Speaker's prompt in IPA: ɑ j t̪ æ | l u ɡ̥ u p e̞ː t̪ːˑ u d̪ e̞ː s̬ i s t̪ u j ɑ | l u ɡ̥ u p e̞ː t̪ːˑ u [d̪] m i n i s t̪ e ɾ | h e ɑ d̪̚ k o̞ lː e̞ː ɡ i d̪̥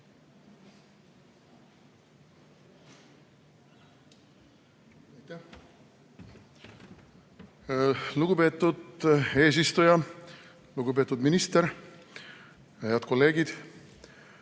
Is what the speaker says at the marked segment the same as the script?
yes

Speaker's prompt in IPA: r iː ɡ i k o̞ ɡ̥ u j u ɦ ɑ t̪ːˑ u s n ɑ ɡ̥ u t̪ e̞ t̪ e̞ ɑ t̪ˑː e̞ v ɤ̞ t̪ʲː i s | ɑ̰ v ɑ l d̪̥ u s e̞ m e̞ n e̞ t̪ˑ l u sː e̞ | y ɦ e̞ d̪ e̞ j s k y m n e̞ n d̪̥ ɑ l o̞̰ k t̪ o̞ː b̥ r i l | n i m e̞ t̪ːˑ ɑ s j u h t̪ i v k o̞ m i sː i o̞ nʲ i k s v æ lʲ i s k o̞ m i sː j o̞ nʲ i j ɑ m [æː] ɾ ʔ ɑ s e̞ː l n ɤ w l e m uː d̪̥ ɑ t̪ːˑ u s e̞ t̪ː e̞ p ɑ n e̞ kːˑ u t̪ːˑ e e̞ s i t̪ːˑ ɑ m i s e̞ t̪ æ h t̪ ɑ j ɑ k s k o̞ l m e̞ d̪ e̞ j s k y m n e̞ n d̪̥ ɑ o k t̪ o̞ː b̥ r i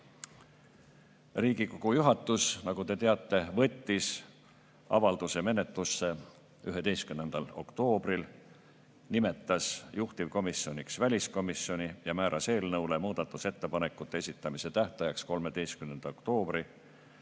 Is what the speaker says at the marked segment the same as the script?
yes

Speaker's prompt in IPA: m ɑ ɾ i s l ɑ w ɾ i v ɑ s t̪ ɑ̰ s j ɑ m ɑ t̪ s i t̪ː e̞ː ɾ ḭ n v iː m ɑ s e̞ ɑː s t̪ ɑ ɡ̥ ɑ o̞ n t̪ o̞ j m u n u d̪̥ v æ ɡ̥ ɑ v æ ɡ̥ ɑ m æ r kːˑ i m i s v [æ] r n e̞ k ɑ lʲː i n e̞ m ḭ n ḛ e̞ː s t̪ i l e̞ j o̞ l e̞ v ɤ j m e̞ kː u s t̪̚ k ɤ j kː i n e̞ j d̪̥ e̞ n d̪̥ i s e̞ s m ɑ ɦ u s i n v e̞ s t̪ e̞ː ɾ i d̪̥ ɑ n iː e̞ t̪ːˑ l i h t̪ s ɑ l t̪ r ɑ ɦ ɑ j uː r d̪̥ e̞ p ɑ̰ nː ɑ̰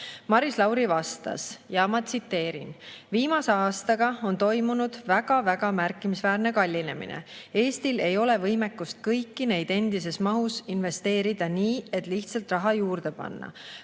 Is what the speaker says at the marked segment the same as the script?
no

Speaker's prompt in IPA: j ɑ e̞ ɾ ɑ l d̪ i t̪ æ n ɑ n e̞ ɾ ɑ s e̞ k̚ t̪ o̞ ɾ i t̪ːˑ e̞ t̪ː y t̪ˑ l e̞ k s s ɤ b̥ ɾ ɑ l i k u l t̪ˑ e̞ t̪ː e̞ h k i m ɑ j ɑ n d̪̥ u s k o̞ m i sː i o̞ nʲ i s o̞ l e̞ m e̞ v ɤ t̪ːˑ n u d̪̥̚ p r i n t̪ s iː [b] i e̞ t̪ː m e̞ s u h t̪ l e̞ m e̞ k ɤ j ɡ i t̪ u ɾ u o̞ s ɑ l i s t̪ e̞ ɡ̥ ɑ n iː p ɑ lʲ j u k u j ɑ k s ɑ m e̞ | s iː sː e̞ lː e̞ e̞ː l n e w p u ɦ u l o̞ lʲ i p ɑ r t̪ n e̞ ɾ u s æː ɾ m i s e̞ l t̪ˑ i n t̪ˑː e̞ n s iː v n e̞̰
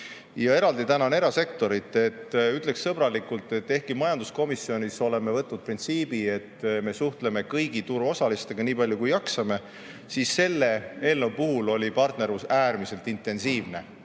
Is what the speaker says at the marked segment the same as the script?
yes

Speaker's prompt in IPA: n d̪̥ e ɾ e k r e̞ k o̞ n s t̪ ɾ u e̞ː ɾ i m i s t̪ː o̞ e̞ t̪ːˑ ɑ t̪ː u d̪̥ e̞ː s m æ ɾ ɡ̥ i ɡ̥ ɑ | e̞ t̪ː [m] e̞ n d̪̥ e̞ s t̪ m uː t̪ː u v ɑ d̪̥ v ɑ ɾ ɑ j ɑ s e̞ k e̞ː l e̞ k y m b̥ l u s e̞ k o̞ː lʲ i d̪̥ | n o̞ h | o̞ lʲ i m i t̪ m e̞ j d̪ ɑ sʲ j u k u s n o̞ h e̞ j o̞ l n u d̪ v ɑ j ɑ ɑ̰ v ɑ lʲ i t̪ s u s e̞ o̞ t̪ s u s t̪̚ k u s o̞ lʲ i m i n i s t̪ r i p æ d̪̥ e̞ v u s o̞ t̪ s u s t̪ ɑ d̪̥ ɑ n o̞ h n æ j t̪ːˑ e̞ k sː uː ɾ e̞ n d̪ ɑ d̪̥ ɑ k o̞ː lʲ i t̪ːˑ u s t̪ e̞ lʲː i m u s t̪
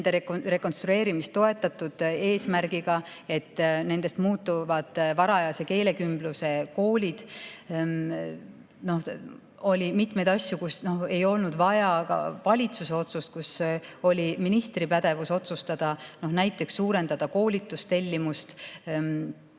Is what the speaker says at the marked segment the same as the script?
no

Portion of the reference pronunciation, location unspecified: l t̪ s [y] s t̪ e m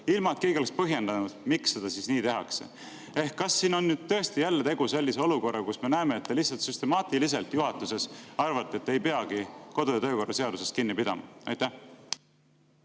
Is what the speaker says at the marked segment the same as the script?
yes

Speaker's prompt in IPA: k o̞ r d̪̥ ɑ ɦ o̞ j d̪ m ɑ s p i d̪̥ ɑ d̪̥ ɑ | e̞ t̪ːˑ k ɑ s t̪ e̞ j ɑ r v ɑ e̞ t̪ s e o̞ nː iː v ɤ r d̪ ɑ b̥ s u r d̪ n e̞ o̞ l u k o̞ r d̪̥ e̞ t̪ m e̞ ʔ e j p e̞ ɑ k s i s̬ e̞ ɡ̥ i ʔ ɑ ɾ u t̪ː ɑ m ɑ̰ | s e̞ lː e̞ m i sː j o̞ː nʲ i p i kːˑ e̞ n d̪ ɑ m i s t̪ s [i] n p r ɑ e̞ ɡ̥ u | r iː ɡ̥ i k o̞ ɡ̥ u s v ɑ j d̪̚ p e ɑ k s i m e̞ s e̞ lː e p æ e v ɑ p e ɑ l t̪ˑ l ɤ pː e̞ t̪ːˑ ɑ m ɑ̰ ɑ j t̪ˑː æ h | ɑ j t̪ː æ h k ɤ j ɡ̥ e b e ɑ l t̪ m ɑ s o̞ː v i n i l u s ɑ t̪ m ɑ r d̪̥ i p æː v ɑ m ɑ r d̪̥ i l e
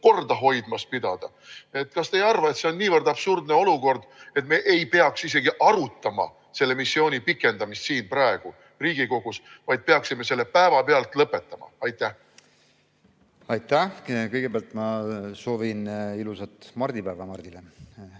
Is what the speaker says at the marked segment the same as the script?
no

